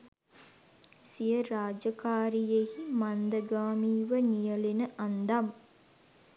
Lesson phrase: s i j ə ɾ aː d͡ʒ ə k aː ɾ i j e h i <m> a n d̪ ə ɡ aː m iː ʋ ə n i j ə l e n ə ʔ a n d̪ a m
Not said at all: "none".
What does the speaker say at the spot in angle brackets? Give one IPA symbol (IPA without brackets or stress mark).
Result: m